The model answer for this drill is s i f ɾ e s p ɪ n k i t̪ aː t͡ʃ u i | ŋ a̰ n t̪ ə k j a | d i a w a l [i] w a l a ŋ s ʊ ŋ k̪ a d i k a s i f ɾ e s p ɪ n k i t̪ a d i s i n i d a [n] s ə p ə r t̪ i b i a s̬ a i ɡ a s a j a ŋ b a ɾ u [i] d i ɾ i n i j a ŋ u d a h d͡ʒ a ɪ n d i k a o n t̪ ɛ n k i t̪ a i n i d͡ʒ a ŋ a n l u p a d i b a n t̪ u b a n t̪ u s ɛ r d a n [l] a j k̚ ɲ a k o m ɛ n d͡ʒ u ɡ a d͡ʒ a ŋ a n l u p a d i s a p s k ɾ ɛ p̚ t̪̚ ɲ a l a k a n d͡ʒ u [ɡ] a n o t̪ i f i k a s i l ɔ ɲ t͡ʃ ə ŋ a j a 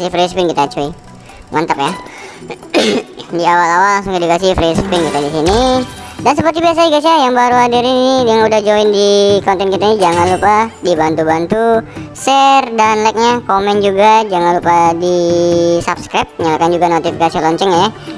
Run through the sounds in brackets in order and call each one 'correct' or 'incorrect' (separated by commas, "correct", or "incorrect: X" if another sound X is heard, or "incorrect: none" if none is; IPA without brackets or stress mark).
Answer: incorrect: a, correct, incorrect: a, correct, correct